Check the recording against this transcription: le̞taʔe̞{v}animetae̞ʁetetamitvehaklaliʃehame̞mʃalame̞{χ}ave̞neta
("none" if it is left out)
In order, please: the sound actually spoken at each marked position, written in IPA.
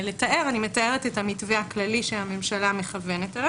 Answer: ʁ, χ

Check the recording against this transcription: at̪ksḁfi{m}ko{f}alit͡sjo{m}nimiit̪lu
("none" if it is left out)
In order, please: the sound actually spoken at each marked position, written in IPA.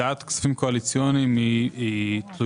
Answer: m, none, none

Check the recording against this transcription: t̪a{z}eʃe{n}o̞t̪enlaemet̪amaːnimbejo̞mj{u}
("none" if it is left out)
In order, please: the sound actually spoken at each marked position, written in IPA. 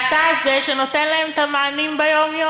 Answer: z, n, o

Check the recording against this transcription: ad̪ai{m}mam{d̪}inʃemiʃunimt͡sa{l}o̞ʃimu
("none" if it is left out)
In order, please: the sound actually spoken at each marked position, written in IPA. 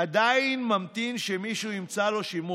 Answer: n, t̪, l

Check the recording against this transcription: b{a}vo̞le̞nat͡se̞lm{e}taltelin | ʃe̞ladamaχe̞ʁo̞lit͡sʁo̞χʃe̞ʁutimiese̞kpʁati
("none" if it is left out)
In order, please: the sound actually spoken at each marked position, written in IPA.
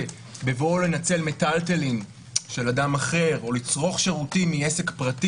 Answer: e, e

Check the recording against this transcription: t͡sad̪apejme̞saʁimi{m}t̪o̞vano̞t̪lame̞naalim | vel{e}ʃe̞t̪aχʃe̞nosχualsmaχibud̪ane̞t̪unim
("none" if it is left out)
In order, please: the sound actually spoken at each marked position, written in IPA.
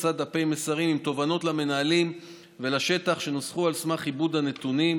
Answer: m, a

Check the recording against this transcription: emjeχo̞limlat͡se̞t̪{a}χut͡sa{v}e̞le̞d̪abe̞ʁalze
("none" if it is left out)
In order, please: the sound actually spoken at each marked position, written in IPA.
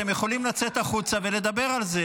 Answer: a, v

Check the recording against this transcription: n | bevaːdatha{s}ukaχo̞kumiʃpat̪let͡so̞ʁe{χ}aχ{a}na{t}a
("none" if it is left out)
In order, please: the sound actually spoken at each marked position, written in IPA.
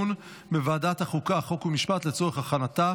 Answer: χ, χ, a, t

